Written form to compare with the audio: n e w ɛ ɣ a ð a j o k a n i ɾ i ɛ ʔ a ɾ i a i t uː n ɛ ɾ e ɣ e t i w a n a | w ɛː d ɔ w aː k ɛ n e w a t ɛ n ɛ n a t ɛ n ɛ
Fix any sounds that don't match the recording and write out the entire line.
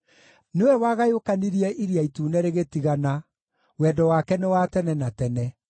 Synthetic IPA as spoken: n e w ɛ w a ɣ a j o k a n i ɾ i ɛ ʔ i ɾ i a i t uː n ɛ ɾ e ɣ e t i ɣ a n a | w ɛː d ɔ w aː k ɛ n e w a t ɛ n ɛ n a t ɛ n ɛ